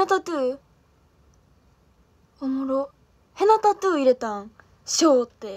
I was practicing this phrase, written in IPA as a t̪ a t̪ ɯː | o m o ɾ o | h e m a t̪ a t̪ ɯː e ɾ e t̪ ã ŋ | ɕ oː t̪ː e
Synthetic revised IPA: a t̪ a t̪ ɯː | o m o ɾ o | h e n a t̪ a t̪ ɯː i ɾ e t̪ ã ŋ | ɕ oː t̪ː e